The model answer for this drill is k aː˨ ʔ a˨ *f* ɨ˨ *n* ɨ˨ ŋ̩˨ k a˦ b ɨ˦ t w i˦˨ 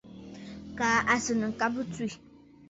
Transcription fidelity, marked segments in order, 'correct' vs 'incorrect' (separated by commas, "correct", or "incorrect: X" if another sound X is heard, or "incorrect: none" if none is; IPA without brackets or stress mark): incorrect: s, correct